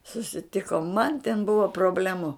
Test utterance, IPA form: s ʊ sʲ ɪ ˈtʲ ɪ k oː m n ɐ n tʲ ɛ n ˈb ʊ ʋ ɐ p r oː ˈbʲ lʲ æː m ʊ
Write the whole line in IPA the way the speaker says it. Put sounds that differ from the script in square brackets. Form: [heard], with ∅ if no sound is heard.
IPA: s ʊ sʲ ɪ ˈtʲ ɪ k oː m [m] ɐ n tʲ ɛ n ˈb ʊ ʋ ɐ p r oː ˈbʲ lʲ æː m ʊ